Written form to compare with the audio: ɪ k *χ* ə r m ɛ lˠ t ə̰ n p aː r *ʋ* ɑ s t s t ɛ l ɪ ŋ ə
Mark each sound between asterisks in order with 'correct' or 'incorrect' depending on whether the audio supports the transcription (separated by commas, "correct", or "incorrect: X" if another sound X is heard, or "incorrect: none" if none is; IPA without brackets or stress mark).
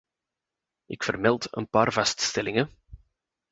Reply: incorrect: f, incorrect: v